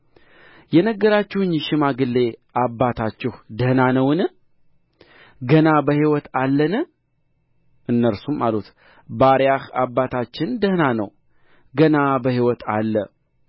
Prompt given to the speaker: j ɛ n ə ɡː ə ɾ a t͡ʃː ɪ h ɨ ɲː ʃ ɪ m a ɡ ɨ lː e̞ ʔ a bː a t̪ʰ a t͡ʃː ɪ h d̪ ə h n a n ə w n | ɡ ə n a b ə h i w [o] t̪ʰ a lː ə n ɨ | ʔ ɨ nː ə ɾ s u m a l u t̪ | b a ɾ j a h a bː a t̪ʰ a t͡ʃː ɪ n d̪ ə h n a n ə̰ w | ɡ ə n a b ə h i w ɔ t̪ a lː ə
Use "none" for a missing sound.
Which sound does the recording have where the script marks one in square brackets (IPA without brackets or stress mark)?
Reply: ɔ